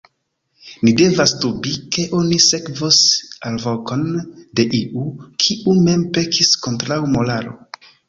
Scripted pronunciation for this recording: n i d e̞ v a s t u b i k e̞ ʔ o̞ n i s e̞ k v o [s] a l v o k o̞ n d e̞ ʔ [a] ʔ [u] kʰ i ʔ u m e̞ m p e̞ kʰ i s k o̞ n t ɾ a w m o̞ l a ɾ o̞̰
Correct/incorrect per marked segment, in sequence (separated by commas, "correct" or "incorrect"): correct, incorrect, correct